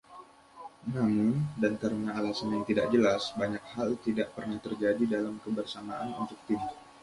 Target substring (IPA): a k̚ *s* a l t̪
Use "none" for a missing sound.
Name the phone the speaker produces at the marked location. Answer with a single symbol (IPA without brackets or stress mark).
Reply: h